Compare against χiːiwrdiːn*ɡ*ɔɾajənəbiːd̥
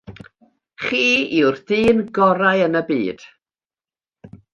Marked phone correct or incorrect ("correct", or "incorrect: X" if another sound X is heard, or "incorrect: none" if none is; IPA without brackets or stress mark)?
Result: correct